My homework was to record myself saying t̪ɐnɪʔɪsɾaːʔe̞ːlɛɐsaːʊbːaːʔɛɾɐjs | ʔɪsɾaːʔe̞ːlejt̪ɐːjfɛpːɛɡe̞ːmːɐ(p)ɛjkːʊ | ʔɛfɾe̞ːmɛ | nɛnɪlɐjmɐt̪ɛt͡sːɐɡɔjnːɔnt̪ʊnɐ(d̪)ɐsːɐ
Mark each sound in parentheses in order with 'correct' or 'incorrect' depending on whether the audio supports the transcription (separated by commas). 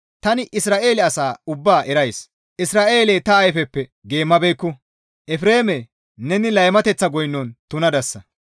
incorrect, correct